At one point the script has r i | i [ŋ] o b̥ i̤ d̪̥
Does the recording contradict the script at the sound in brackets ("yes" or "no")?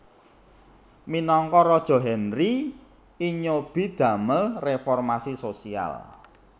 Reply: yes